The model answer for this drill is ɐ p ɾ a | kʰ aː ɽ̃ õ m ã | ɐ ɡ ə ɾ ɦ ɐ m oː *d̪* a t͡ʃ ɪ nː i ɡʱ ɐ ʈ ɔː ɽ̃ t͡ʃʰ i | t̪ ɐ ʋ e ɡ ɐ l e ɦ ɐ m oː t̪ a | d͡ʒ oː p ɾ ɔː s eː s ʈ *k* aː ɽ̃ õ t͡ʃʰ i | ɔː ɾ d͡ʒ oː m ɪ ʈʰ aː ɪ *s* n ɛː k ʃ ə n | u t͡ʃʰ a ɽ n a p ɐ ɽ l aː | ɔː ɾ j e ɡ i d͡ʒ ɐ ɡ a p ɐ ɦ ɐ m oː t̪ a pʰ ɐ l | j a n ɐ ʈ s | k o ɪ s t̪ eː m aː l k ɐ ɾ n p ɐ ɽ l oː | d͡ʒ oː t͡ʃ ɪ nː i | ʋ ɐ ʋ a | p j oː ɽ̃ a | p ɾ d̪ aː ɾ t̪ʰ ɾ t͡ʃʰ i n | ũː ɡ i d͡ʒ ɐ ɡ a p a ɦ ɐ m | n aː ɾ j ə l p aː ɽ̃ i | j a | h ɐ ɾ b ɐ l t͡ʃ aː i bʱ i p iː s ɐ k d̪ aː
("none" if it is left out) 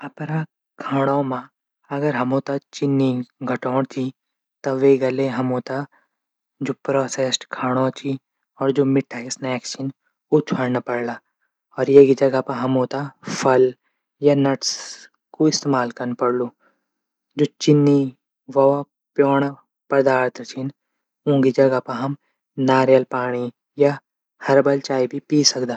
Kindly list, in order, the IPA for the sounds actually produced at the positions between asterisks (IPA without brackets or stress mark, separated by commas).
t̪, kʰ, s